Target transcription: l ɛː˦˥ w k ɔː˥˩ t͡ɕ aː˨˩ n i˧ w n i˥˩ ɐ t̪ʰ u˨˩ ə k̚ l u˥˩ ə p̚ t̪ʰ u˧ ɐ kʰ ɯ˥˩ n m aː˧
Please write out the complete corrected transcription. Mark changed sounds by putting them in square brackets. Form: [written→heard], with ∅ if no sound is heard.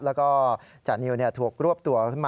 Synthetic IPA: l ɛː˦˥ w k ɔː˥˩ t͡ɕ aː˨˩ n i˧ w n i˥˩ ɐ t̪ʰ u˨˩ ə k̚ [l→ɾ] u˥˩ ə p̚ [t̪ʰ→t̪] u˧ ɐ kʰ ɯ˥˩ n m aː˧